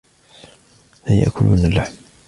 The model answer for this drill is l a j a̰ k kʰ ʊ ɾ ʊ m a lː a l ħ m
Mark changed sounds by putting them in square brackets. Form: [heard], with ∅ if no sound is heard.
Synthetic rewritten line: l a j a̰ [ʔ] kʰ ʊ [l] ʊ [n] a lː a [∅] ħ m